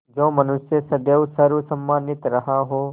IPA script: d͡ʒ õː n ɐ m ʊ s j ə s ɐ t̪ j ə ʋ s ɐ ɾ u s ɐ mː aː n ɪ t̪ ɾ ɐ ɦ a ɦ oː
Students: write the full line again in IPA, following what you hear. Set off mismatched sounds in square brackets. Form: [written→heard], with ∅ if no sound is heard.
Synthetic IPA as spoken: d͡ʒ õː [n→m] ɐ [m→n] ʊ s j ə s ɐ [t̪→d̪] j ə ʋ s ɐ ɾ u s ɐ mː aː n ɪ t̪ ɾ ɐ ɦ a ɦ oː